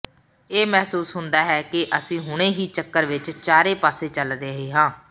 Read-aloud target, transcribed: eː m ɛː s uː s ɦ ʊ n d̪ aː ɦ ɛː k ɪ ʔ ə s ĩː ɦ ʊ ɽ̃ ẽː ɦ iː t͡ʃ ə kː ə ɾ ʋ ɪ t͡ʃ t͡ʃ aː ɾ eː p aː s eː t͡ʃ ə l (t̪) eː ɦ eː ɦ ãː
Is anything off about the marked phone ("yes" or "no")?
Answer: yes